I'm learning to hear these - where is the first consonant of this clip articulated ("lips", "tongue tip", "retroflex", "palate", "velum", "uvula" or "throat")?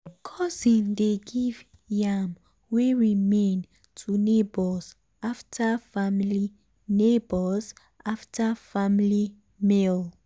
velum